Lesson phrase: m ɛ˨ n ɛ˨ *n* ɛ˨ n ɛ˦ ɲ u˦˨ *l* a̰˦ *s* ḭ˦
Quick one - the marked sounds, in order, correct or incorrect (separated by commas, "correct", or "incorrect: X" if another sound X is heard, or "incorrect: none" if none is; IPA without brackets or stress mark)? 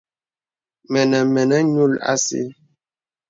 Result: incorrect: m, correct, correct